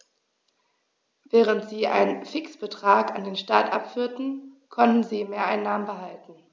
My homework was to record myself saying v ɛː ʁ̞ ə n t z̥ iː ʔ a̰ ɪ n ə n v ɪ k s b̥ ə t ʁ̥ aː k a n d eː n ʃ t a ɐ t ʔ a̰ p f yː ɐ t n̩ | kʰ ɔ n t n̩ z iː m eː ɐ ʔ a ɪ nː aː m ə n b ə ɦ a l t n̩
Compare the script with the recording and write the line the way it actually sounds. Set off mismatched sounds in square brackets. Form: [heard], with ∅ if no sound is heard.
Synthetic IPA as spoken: v ɛː ʁ̞ ə n t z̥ iː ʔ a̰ ɪ n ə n [f] ɪ k s b̥ ə t ʁ̥ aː k a n d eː n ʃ t a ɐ t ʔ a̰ p f yː ɐ t n̩ | kʰ ɔ n t n̩ z iː m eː ɐ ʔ a ɪ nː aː m ə n b ə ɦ a l t n̩